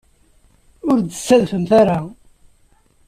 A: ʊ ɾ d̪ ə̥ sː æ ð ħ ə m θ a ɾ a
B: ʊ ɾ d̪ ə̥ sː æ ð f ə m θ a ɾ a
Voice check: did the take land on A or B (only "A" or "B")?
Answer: B